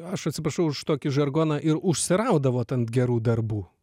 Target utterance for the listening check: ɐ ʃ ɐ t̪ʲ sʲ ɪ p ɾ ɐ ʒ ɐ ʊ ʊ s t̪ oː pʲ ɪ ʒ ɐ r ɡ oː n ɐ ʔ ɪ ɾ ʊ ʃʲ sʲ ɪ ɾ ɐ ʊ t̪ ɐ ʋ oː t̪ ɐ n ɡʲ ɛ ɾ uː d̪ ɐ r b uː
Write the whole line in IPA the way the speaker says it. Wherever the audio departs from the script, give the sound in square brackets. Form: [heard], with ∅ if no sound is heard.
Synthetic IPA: ɐ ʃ ɐ t̪ʲ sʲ ɪ p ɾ ɐ [ʃ] ɐ ʊ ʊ [ʃ] t̪ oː [kʲ] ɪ ʒ ɐ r ɡ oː n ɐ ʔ ɪ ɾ ʊ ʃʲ sʲ ɪ ɾ ɐ ʊ [d̪] ɐ ʋ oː t̪ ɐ n ɡʲ ɛ ɾ uː d̪ ɐ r b uː

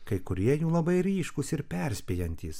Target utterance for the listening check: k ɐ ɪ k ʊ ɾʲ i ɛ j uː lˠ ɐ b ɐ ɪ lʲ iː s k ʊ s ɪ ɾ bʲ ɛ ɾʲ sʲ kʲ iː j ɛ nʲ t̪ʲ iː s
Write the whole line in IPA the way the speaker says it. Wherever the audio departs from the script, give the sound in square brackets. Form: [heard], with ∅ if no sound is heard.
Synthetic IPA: k ɐ ɪ k ʊ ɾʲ i ɛ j uː lˠ ɐ b ɐ ɪ [ɾʲ] iː [ʃ] k ʊ s ɪ ɾ [pʲ] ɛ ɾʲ sʲ [pʲ] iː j ɛ nʲ t̪ʲ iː s

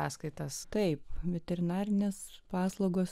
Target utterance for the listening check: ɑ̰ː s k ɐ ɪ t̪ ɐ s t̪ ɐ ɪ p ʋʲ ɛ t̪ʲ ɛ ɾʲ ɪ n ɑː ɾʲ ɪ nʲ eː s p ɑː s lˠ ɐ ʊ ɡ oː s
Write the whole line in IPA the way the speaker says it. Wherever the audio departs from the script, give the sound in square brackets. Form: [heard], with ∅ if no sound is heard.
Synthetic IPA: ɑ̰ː s k ɐ ɪ t̪ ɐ s t̪ ɐ ɪ p ʋʲ ɛ t̪ʲ ɛ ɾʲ ɪ n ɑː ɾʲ ɪ nʲ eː s p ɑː s lˠ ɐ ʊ ɡ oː s

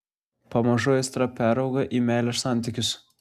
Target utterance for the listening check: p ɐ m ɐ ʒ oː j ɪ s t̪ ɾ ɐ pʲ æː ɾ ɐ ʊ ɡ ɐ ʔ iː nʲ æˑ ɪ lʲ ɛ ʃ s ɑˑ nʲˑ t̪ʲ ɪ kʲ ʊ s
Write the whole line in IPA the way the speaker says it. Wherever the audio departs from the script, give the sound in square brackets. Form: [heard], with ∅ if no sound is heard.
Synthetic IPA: p ɐ m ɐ ʒ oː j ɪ s t̪ ɾ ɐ pʲ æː ɾ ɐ ʊ ɡ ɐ ʔ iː [mʲ] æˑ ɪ lʲ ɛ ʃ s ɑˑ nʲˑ t̪ʲ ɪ kʲ ʊ s

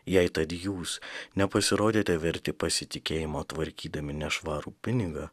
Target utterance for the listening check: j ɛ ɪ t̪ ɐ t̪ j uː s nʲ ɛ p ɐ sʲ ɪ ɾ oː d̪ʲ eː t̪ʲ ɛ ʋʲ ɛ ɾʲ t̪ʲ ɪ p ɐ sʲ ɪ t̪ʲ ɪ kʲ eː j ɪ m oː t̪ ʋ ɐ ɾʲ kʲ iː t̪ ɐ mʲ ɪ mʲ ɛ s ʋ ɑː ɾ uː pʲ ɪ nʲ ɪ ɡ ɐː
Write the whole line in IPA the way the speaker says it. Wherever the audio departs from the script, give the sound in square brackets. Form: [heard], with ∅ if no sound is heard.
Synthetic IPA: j ɛ ɪ t̪ ɐ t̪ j uː s nʲ ɛ p ɐ sʲ ɪ ɾ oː d̪ʲ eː t̪ʲ ɛ ʋʲ ɛ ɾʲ t̪ʲ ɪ p ɐ sʲ ɪ t̪ʲ ɪ kʲ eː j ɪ m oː t̪ ʋ ɐ ɾʲ kʲ iː [d̪] ɐ mʲ ɪ [nʲ] ɛ [ʃ] ʋ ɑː ɾ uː pʲ ɪ nʲ ɪ ɡ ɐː

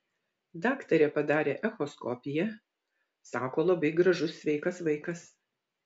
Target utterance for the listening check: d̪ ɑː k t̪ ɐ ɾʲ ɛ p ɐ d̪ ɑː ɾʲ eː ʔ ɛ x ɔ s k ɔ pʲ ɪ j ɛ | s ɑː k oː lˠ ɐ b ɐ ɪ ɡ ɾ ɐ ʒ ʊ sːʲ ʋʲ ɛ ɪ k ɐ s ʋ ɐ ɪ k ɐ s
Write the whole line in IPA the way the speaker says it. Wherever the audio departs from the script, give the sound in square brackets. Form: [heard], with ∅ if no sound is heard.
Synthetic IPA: d̪ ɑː k t̪ ɐ ɾʲ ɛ p ɐ d̪ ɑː ɾʲ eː ʔ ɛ x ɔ s k ɔ pʲ ɪ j ɛ | s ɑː k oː lˠ ɐ b ɐ ɪ ɡ ɾ ɐ ʒ ʊ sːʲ ʋʲ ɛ ɪ k ɐ s ʋ ɐ ɪ k ɐ s

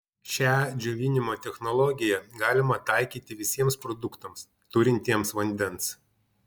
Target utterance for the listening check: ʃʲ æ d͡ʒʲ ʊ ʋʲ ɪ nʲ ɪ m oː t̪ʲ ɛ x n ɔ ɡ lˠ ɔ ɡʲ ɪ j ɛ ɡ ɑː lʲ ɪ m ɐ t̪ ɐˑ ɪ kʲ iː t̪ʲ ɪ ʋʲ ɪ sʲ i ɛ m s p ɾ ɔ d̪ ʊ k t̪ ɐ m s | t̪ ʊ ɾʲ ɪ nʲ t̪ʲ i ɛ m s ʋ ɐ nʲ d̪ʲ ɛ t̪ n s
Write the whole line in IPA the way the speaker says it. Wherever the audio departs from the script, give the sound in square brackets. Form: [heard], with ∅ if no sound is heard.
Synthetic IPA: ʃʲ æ d͡ʒʲ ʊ ʋʲ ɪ nʲ ɪ m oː t̪ʲ ɛ x n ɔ [∅] lˠ ɔ ɡʲ ɪ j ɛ ɡ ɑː lʲ ɪ m ɐ t̪ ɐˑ ɪ kʲ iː t̪ʲ ɪ ʋʲ ɪ sʲ i ɛ m s p ɾ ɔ d̪ ʊ k t̪ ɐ m s | t̪ ʊ ɾʲ ɪ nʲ t̪ʲ i ɛ m s ʋ ɐ nʲ d̪ʲ ɛ [∅] n s

